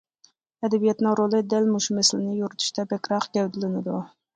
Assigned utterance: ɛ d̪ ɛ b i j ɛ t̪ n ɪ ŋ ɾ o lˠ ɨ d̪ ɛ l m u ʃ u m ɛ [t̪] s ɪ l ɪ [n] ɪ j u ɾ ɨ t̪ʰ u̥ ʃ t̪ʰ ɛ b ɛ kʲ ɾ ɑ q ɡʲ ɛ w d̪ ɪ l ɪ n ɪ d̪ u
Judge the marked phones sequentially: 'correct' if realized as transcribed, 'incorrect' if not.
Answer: incorrect: none, correct

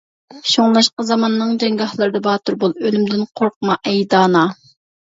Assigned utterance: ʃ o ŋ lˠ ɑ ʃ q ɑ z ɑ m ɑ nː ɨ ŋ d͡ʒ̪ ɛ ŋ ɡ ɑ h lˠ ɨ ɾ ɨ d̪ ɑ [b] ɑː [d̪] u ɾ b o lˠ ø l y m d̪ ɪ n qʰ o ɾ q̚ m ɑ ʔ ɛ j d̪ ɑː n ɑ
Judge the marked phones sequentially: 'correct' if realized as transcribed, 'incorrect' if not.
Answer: correct, incorrect: t̪

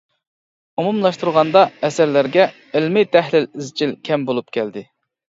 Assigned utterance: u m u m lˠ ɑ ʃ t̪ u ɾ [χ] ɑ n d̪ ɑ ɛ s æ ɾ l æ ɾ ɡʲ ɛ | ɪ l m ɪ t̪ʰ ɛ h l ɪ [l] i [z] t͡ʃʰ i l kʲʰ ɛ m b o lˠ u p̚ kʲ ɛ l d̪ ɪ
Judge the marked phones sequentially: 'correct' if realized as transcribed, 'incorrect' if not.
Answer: incorrect: ʁ, correct, correct

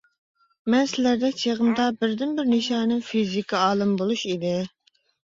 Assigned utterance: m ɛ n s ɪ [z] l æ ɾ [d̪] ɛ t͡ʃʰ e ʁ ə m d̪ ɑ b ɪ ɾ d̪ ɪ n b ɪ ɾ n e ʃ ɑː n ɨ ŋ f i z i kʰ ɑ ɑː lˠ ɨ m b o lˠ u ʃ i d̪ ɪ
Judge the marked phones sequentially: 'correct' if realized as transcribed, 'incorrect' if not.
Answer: incorrect: none, correct

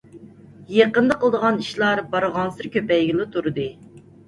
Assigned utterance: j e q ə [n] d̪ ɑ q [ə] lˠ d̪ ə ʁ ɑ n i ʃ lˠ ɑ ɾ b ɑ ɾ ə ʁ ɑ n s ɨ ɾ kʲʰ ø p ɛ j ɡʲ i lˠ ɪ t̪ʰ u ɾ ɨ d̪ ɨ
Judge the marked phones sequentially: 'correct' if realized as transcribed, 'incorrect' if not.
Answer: correct, correct

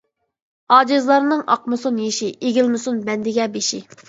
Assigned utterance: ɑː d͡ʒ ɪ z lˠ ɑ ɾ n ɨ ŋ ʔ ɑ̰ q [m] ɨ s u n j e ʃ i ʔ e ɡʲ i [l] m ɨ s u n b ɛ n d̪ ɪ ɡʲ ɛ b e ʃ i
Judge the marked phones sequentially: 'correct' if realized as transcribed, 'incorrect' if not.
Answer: correct, correct

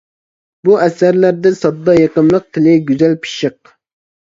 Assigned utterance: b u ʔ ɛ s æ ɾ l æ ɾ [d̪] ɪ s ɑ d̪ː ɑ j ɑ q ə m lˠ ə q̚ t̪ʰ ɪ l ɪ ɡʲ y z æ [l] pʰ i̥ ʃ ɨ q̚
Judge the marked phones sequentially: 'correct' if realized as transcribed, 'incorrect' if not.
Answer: correct, correct

